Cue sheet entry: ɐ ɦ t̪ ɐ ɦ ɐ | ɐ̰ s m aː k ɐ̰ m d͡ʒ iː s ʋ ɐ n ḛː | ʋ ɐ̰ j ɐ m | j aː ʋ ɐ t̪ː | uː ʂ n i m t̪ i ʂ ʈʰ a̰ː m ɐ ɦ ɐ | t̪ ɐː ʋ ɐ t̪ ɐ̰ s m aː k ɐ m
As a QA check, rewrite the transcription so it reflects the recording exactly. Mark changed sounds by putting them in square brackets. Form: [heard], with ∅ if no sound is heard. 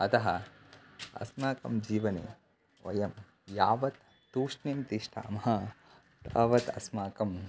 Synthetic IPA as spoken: ɐ [∅] t̪ ɐ ɦ ɐ | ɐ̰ s m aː k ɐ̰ m d͡ʒ iː [∅] ʋ ɐ n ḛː | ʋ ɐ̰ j ɐ m | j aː ʋ ɐ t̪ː | uː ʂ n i m t̪ i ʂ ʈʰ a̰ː m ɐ ɦ ɐ | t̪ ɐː ʋ ɐ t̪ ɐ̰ s m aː k ɐ m